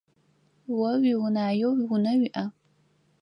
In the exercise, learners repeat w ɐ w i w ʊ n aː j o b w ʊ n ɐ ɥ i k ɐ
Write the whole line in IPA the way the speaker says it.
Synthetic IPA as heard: w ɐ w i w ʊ n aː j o w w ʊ n ɐ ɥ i ʔ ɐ